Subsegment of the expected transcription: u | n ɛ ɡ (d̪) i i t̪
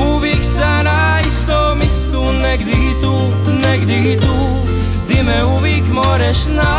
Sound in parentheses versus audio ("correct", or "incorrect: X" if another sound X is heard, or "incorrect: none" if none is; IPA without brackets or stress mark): correct